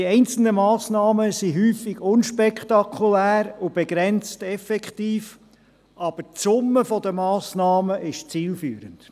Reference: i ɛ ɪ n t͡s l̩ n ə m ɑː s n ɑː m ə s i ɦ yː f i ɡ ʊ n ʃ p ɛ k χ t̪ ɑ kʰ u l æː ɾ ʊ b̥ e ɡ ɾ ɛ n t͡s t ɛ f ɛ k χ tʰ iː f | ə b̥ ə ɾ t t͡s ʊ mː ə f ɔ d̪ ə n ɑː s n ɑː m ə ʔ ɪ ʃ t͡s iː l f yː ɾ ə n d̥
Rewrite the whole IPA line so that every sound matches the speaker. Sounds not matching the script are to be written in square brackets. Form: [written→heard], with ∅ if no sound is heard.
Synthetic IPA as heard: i ɛ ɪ n t͡s l̩ n ə m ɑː s n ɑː m ə s i ɦ yː f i ɡ ʊ n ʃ p ɛ k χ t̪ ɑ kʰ u l æː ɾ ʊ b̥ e ɡ ɾ ɛ n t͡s t ɛ f ɛ k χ [tʰ→t] iː f | [ə→ɑ] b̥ ə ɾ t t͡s ʊ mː ə f ɔ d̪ ə [n→m] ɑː s n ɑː m ə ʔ ɪ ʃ t͡s iː l f yː ɾ ə n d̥